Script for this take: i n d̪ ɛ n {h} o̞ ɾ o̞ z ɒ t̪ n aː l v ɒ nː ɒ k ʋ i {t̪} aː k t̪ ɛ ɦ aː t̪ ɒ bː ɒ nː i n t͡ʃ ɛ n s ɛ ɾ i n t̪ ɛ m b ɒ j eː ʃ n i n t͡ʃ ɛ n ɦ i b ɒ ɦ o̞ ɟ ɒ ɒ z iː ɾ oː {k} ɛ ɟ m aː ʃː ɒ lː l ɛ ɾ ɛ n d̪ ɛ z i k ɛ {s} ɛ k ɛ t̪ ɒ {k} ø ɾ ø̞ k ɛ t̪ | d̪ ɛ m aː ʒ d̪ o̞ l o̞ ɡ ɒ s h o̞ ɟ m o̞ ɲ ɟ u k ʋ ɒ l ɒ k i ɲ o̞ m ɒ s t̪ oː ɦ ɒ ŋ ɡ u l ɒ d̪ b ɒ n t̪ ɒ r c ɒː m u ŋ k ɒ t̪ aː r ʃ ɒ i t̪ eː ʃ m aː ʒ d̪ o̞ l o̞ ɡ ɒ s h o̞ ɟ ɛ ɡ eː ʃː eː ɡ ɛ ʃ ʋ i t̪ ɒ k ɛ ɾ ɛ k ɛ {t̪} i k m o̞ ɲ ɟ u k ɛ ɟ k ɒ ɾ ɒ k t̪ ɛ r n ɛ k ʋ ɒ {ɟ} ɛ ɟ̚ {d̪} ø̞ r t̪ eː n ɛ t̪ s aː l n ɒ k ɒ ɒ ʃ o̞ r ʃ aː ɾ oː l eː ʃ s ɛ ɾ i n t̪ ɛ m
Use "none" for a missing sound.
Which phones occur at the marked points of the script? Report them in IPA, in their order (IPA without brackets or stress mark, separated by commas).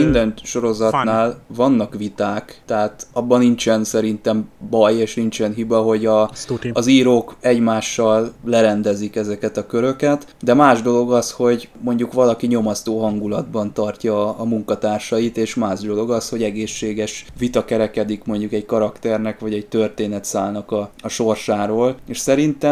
ʃ, t̪, k, z, k, d̪, ɟ, t̪